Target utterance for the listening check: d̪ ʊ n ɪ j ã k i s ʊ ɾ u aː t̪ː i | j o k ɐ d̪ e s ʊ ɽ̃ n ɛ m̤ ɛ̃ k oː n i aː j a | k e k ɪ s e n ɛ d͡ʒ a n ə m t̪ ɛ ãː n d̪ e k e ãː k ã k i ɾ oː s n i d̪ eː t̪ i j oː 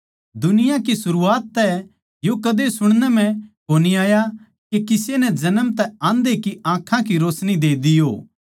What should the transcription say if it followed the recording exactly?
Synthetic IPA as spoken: d̪ ʊ n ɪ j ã k i s ʊ ɾ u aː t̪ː ɛ | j o k ɐ d̪ e s ʊ ɽ̃ n ɛ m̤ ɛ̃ k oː n i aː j a | k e k ɪ s e n ɛ d͡ʒ ɐ n ə m t̪ ɛ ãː n d̪ e k i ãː kʰ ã k i ɾ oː s n i d̪ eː d̪ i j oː